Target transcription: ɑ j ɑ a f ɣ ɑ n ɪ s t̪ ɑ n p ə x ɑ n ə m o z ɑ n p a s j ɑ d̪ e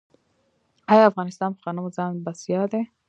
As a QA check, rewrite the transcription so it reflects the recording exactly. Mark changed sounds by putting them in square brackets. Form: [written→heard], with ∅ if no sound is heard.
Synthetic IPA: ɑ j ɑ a f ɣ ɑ n ɪ s t̪ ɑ n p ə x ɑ n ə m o z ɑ n [p→b] a s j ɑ d̪ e